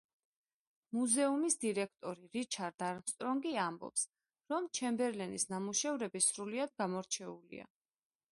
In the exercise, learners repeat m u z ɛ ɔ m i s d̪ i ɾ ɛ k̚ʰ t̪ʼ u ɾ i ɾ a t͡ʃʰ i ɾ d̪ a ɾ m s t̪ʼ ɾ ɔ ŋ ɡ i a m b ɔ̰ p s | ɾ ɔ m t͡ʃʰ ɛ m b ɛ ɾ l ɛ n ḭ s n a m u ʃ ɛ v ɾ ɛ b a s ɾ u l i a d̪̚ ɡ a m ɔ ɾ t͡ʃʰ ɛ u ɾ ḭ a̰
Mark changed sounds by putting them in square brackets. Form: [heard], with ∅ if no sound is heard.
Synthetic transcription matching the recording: m u z ɛ [u] m i s d̪ i ɾ ɛ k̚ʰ t̪ʼ [ɔ] ɾ i ɾ [i] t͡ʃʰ [a] ɾ d̪ a ɾ m s t̪ʼ ɾ ɔ ŋ ɡ i a m b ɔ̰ p s | ɾ ɔ m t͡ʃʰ ɛ m b ɛ ɾ l ɛ n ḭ s n a m u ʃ ɛ v ɾ ɛ b [i] s ɾ u l i a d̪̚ ɡ a m ɔ ɾ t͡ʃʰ ɛ u [l] ḭ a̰